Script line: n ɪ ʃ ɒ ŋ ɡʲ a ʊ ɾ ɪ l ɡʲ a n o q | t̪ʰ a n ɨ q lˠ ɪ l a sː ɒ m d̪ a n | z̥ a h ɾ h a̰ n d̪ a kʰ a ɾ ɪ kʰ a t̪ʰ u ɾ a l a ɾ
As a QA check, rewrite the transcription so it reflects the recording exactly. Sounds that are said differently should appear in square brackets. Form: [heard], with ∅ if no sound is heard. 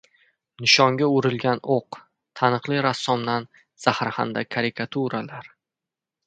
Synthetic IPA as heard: n ɪ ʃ ɒ ŋ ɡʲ a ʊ ɾ ɪ l ɡʲ a n o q | t̪ʰ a n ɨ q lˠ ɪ [ɾ] a sː ɒ m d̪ a n | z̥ a h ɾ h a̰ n d̪ a kʰ a ɾ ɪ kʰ a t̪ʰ u ɾ a l a ɾ